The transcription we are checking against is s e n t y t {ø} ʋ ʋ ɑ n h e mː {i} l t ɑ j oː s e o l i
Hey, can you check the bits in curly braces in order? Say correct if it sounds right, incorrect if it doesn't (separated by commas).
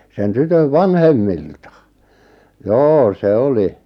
correct, correct